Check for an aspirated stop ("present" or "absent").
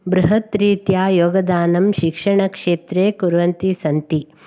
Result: absent